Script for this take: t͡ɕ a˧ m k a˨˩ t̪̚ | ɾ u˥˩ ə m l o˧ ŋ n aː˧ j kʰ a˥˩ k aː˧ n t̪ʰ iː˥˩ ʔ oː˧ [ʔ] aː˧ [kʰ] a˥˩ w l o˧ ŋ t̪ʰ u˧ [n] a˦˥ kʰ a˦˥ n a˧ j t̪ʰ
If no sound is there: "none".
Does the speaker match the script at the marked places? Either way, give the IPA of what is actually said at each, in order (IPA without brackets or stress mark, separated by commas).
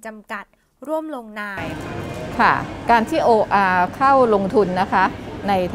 ʔ, kʰ, nː